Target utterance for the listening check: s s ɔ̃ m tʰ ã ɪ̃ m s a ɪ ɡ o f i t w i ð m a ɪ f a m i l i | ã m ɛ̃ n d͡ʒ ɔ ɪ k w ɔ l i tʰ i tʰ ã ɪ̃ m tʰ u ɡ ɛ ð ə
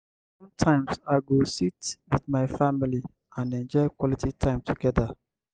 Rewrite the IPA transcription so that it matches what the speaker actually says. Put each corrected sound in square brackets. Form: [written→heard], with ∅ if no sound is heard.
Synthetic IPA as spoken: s s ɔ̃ m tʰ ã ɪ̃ m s a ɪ ɡ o [f→s] i t w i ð m a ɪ f a m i l i | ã [m→n] ɛ̃ n d͡ʒ ɔ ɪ k w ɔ l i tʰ i tʰ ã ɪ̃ m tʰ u ɡ ɛ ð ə